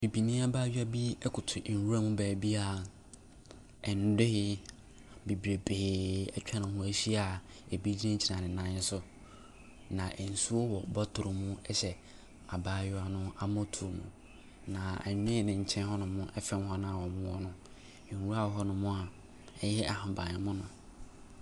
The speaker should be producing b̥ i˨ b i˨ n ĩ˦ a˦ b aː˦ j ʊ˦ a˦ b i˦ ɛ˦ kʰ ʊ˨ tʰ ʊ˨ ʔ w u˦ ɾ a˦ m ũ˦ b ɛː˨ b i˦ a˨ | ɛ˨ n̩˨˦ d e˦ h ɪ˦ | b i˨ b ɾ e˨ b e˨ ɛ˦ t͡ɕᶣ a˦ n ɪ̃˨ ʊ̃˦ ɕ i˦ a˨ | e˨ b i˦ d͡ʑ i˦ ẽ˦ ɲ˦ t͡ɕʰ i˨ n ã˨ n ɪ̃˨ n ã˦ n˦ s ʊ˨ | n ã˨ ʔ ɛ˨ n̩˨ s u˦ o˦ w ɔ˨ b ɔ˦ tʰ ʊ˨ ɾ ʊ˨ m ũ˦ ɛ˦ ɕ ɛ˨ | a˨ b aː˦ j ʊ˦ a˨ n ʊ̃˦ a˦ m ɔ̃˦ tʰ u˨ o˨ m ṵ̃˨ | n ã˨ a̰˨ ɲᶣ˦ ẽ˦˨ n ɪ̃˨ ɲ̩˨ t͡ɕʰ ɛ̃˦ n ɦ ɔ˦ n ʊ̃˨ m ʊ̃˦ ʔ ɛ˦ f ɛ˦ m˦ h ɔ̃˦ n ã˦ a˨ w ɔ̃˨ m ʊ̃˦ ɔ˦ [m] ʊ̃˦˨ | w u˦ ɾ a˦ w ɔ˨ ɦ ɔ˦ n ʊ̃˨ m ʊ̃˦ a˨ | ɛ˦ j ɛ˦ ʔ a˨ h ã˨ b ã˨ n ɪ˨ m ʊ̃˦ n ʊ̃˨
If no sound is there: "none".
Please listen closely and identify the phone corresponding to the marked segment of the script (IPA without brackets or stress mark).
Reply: n